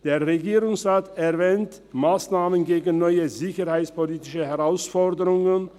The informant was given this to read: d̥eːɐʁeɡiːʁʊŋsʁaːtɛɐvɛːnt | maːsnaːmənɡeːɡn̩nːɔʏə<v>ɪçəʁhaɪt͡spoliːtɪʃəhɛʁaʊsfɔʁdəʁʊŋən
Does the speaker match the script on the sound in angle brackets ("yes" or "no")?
no